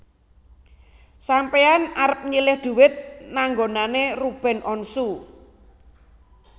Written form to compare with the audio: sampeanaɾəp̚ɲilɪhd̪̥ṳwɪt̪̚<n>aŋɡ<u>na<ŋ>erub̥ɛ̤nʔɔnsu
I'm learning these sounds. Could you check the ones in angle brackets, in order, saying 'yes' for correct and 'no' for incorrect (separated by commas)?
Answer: yes, no, no